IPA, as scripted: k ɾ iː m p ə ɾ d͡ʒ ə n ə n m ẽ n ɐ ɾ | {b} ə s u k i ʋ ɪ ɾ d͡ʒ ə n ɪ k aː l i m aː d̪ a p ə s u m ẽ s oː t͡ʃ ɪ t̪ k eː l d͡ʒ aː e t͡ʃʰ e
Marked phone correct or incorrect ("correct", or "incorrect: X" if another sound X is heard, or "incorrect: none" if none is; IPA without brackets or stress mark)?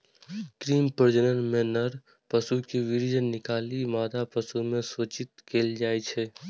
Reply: incorrect: p